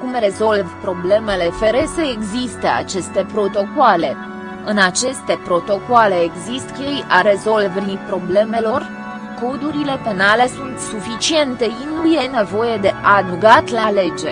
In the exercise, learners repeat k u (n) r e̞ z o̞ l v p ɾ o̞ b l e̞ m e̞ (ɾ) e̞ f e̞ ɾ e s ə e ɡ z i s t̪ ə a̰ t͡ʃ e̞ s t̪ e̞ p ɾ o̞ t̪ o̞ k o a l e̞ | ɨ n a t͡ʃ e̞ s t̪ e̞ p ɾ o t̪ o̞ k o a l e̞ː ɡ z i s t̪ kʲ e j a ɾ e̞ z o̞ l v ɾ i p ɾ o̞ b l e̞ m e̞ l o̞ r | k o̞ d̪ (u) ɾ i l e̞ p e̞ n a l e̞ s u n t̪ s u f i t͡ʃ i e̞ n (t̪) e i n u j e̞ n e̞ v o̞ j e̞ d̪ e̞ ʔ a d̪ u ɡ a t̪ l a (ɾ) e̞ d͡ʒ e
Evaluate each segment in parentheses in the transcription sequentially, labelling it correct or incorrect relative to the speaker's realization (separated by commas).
incorrect, incorrect, correct, correct, incorrect